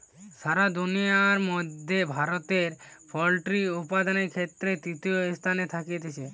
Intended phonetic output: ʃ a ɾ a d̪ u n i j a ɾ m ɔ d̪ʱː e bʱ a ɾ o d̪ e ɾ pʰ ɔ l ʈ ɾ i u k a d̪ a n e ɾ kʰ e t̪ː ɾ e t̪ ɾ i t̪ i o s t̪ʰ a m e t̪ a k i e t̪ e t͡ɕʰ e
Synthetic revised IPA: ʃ a ɾ a d̪ u n i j a ɾ m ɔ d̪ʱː e bʱ a ɾ o t̪ e ɾ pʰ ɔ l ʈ ɾ i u p a d̪ a n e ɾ kʰ e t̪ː ɾ e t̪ ɾ i t̪ i o s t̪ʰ a n e t̪ʰ a k i e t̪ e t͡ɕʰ e